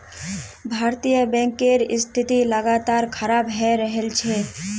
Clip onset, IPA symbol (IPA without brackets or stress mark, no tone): bʱ